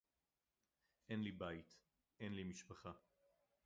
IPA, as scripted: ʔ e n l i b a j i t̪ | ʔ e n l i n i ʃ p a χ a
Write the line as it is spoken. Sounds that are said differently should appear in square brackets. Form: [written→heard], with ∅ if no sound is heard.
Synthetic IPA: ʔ e n l i b a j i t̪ | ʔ e n l i [n→m] i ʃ p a χ a

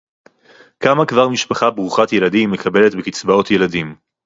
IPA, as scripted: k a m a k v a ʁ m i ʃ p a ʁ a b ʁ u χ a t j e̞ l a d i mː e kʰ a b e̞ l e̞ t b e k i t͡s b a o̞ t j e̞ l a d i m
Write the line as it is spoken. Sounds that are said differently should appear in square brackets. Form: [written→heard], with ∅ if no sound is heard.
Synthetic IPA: k a m a k v a ʁ m i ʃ p a [ʁ→χ] a b ʁ u χ a t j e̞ l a d i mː e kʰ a b e̞ l e̞ t b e k i t͡s b a o̞ t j e̞ l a d i m

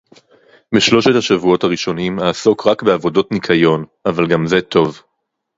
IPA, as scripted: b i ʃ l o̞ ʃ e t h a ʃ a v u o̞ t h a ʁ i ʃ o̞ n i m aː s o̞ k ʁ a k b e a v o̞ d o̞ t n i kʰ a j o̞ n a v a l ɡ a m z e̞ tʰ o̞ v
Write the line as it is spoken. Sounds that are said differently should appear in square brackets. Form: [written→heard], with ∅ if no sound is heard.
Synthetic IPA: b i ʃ l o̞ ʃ e t h a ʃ a v u o̞ t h a ʁ i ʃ o̞ n i m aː s o̞ k ʁ a k b e a v o̞ d o̞ t n i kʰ a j o̞ n a v a l ɡ a m z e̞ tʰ o̞ v

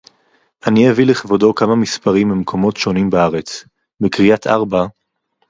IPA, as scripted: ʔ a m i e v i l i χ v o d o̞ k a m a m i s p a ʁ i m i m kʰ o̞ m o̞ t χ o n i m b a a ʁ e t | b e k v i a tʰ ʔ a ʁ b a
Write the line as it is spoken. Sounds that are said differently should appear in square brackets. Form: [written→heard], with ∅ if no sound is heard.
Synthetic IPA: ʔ a [m→n] i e v i l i χ v o d o̞ k a m a m i s p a ʁ i m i m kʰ o̞ m o̞ t [χ→ʃ] o n i m b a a ʁ e [t→t͡s] | b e k [v→ʁ] i a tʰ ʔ a ʁ b a

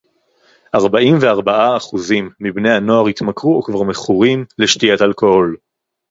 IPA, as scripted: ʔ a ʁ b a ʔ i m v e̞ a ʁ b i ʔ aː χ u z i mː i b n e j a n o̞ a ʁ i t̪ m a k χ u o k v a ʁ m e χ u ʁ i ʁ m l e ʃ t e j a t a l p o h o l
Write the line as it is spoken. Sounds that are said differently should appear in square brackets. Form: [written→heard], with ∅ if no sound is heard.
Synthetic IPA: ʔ a ʁ b a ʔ i m v e̞ a ʁ b [i→a] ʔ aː χ u z i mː i b n e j a n o̞ a ʁ i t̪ m a k [χ→ʁ] u o k v a ʁ m e χ u ʁ i [ʁ→∅] m l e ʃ t [e→i] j a t a l [p→k] o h o l

